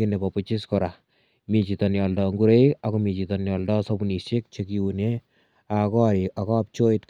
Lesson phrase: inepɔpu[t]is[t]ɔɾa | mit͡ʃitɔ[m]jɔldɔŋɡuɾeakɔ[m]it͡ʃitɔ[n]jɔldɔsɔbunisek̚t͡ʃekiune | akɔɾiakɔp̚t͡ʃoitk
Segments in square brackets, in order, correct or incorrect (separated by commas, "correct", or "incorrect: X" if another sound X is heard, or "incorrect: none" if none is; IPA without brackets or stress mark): incorrect: t͡ʃ, incorrect: k, incorrect: n, correct, correct